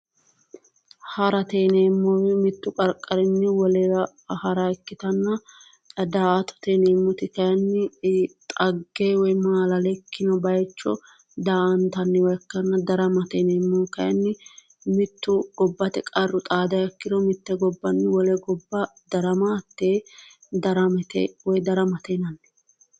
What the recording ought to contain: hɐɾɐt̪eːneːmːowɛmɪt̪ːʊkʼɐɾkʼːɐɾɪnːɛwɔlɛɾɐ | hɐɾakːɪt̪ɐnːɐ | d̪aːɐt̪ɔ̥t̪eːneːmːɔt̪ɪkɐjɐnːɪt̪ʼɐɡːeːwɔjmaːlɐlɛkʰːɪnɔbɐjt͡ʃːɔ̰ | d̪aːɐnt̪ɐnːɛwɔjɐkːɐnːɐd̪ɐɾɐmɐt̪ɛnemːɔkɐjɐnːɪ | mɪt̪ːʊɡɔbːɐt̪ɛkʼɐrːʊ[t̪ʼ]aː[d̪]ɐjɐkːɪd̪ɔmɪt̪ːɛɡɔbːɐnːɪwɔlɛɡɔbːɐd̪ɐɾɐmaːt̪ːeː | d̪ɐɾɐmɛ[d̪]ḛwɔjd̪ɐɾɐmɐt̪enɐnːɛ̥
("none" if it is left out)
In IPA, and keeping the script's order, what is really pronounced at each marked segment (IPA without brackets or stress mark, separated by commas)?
t̪ʼ, d̪, t̪